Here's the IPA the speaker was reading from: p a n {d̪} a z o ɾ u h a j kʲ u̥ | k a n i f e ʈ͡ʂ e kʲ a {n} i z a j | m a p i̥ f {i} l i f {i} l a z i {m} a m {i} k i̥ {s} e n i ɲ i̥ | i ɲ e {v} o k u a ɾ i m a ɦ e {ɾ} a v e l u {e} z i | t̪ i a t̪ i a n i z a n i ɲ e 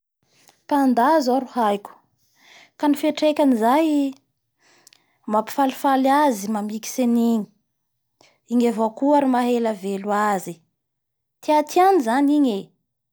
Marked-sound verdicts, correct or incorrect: correct, correct, incorrect: a, incorrect: a, correct, correct, correct, correct, incorrect: l, incorrect: a

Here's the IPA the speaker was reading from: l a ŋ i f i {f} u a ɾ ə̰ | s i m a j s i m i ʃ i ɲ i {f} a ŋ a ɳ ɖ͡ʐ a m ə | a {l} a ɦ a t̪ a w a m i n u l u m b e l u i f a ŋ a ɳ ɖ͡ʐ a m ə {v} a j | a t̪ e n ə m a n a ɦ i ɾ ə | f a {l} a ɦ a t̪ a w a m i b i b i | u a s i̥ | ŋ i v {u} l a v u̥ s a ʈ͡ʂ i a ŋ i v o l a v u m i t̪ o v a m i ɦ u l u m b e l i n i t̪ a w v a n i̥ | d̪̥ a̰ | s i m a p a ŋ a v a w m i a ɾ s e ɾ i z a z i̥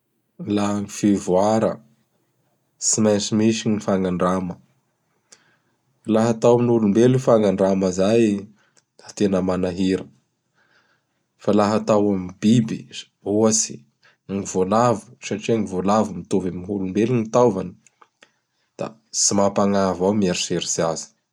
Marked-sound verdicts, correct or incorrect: incorrect: v, correct, correct, incorrect: z, correct, incorrect: o

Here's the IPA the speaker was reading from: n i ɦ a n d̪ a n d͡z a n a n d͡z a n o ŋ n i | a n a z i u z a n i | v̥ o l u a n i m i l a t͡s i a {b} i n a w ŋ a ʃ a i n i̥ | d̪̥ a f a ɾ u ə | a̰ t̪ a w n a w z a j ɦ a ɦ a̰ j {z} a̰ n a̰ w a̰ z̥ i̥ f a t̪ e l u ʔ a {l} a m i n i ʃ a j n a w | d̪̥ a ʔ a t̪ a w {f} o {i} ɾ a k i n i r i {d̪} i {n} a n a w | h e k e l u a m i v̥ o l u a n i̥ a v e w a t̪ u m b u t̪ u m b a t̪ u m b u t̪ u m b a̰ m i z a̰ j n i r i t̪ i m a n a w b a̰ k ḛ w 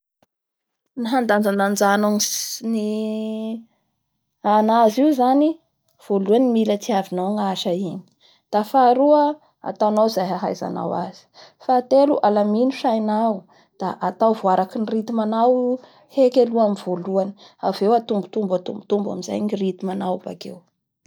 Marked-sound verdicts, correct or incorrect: incorrect: v, correct, correct, incorrect: v, incorrect: a, incorrect: t̪, incorrect: m

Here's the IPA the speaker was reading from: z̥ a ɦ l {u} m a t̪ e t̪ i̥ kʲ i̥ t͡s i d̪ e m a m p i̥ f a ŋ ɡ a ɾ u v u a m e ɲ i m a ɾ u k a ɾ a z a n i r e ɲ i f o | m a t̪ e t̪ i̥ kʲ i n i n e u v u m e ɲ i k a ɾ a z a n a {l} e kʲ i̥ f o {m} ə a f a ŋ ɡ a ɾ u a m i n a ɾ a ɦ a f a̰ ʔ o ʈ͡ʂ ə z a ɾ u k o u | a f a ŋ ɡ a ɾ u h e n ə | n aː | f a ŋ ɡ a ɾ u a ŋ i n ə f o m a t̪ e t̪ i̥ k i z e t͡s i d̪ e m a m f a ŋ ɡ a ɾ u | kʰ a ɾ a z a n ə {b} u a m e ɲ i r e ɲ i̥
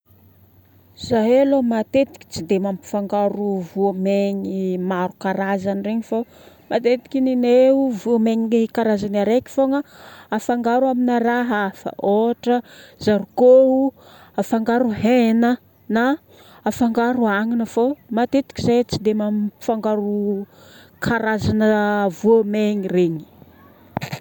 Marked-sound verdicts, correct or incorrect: incorrect: o, incorrect: ɾ, incorrect: ŋ, incorrect: v

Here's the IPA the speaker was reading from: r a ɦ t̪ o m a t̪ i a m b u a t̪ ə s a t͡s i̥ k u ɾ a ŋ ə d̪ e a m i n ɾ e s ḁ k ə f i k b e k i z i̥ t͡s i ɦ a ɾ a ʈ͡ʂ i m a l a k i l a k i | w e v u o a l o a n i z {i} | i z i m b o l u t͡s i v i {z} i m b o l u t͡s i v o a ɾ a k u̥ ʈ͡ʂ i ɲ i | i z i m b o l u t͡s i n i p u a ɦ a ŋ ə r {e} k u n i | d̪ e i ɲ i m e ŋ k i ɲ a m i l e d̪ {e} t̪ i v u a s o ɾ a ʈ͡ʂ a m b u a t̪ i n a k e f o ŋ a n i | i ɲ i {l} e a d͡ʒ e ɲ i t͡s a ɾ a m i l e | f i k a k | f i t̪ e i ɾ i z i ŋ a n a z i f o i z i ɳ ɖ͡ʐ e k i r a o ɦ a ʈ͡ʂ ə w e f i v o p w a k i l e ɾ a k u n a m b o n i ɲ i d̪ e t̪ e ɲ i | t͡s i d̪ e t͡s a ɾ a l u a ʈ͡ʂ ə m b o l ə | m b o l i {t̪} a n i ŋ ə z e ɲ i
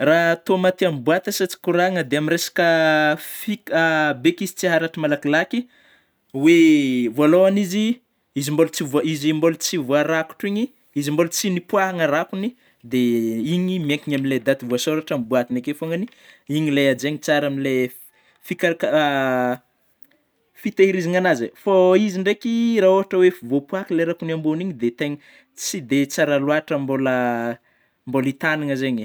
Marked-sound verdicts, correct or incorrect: correct, correct, incorrect: a, incorrect: a, correct, correct

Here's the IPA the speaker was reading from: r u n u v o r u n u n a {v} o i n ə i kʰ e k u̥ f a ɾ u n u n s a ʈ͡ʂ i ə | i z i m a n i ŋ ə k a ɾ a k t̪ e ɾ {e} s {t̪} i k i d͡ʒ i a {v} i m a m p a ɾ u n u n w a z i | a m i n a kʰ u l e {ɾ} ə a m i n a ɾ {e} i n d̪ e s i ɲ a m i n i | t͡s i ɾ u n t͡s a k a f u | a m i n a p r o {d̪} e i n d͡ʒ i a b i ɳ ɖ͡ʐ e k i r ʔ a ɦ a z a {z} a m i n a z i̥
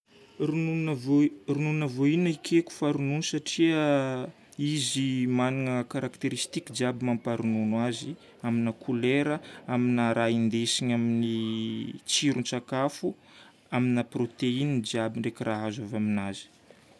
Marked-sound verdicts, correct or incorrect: correct, incorrect: i, correct, incorrect: b, correct, incorrect: a, incorrect: t̪, incorrect: v

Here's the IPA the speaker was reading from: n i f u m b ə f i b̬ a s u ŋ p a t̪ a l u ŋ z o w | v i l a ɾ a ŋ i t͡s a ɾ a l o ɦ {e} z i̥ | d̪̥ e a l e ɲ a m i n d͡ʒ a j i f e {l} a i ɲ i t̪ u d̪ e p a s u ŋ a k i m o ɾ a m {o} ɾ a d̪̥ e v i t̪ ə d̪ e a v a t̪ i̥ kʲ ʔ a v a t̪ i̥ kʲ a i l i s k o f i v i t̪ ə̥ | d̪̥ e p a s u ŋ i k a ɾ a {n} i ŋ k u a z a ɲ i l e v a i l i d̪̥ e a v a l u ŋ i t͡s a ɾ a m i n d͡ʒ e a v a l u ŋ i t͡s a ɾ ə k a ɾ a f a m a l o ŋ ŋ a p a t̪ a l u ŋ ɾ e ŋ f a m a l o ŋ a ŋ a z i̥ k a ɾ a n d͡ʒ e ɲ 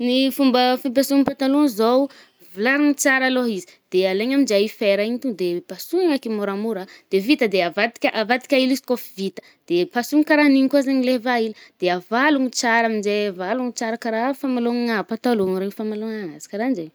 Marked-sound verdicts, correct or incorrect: incorrect: i, incorrect: ɾ, incorrect: u, correct

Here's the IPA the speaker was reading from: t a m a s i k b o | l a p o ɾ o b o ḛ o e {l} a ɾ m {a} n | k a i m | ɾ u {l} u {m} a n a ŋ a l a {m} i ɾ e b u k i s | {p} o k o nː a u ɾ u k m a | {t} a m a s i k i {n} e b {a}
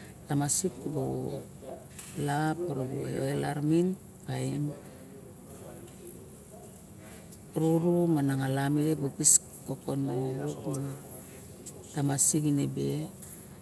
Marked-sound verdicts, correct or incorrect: correct, incorrect: i, incorrect: ɾ, correct, correct, incorrect: k, correct, correct, incorrect: e

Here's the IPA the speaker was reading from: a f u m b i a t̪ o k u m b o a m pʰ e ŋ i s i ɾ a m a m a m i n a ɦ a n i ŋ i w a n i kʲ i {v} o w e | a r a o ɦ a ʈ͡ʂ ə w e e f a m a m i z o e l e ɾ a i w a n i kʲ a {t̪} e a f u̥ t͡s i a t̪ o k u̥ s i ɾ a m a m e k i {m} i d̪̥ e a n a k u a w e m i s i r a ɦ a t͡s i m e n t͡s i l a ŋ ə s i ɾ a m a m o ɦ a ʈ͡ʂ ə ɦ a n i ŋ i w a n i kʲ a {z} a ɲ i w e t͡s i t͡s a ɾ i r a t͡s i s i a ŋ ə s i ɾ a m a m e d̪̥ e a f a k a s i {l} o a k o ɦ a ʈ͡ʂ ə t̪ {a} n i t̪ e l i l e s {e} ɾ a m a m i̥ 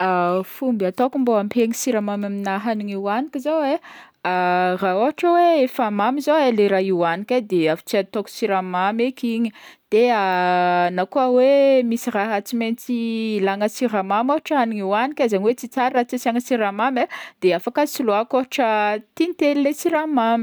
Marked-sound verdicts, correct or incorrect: incorrect: z, incorrect: d̪, incorrect: ɲ, correct, correct, incorrect: i, incorrect: i

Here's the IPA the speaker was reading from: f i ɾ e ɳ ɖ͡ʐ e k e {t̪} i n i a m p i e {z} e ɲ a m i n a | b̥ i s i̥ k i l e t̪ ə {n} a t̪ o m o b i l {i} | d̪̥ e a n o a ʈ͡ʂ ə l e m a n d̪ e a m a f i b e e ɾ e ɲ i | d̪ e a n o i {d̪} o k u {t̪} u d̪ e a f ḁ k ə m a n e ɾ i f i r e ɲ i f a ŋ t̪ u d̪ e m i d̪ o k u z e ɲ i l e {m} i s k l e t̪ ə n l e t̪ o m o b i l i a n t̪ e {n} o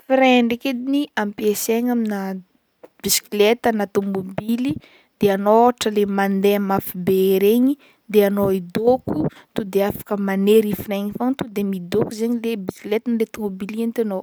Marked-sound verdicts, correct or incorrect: incorrect: d̪, incorrect: s, correct, correct, correct, correct, incorrect: b, correct

